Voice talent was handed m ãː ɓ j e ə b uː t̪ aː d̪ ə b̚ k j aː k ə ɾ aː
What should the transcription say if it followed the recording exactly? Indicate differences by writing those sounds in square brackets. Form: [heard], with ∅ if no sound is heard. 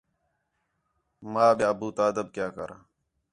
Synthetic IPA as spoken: m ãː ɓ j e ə b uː t̪ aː d̪ ə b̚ k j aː k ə ɾ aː